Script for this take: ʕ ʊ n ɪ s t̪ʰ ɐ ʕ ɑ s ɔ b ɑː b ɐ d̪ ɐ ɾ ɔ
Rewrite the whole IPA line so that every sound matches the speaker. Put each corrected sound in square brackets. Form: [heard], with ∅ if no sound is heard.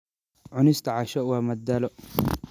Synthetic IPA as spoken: ʕ ʊ n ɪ s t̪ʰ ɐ ʕ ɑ [ʃ] ɔ [w] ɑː [m] ɐ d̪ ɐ [l] ɔ

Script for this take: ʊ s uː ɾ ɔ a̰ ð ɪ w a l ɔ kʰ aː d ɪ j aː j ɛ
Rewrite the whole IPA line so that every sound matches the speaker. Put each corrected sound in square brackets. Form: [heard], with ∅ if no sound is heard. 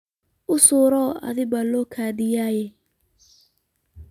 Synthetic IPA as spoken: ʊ s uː ɾ ɔ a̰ ð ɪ [b] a l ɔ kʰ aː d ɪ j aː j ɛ

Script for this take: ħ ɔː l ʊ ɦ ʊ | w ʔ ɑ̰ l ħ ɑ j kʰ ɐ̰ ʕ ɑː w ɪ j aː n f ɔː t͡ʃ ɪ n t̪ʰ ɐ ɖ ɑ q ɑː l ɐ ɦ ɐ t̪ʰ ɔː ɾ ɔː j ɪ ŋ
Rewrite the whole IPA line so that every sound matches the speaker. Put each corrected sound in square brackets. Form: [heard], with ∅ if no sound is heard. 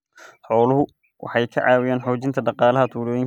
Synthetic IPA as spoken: ħ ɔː l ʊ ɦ ʊ | w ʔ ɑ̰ [∅] ħ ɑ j kʰ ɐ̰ ʕ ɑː w ɪ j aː n [ħ] ɔː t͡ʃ ɪ n t̪ʰ ɐ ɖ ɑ q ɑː l ɐ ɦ ɐ t̪ʰ [uː] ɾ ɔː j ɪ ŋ

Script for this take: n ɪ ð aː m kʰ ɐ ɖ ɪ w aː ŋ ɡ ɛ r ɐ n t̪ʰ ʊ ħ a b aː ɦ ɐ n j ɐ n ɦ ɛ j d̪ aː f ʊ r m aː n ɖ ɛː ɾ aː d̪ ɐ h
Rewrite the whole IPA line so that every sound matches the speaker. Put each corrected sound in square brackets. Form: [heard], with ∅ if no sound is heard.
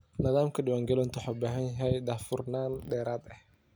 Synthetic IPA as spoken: n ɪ ð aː m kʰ ɐ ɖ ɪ w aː ŋ ɡ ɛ [l] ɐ n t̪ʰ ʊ ħ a b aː ɦ ɐ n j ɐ [∅] ɦ ɛ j d̪ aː f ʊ r [n] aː n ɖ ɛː ɾ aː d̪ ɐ h

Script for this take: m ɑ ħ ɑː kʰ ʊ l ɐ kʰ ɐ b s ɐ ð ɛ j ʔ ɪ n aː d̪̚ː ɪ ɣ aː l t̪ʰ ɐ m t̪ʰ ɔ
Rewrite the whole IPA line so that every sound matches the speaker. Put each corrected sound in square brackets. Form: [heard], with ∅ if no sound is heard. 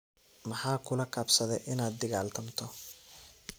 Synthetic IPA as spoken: m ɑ ħ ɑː kʰ ʊ l ɐ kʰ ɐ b s ɐ ð ɛ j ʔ ɪ n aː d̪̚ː ɪ ɣ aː l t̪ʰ ɐ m t̪ʰ ɔ

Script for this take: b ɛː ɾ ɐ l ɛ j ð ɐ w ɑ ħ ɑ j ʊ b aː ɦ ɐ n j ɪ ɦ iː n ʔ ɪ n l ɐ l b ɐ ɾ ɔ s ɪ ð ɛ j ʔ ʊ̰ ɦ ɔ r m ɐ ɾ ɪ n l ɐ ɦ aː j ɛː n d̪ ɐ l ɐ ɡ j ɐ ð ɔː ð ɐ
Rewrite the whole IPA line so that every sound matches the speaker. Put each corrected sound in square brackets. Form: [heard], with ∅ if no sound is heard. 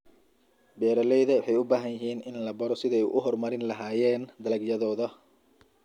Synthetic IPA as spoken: b ɛː ɾ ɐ l ɛ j ð ɐ w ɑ ħ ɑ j ʊ b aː ɦ ɐ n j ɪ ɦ iː n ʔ ɪ n l ɐ [∅] b ɐ ɾ ɔ s ɪ ð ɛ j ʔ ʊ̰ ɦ ɔ r m ɐ ɾ ɪ n l ɐ ɦ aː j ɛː n d̪ ɐ l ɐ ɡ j ɐ ð ɔː ð ɐ

